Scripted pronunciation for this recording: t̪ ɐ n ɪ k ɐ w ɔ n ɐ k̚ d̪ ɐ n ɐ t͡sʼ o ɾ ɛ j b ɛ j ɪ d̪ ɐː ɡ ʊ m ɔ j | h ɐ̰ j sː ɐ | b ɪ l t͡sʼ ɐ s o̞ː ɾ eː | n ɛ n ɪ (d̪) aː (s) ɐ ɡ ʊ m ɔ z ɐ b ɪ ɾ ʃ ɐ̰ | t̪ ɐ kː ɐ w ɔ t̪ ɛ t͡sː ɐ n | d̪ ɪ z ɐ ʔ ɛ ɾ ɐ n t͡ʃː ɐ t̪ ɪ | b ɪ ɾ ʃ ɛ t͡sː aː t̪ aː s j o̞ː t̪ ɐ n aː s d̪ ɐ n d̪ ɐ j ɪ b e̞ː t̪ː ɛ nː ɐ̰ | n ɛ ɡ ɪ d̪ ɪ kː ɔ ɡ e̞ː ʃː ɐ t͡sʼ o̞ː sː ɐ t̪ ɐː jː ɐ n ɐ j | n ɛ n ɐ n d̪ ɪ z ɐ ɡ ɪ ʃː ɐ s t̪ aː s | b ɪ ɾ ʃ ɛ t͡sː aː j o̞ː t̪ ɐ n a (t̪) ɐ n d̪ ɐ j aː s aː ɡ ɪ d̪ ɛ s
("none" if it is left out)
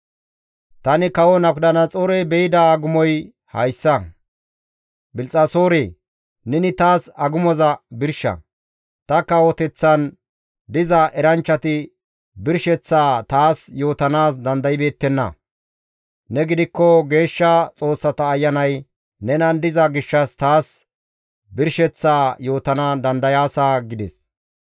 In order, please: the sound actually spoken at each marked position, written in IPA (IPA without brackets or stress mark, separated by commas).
t̪, s, d̪